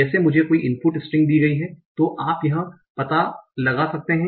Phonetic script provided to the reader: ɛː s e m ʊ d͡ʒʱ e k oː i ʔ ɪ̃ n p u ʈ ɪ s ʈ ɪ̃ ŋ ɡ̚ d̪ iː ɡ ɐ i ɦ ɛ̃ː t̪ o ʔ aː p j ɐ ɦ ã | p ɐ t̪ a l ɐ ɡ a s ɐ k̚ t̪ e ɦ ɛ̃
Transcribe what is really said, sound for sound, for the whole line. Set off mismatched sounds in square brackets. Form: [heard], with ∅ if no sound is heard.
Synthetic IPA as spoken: ɛː s e m ʊ d͡ʒʱ e k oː i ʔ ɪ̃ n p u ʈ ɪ s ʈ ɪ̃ ŋ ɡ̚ d̪ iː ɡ ɐ i ɦ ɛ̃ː t̪ o ʔ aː p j ɐ ɦ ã | p ɐ t̪ a l ɐ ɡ a s ɐ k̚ t̪ e ɦ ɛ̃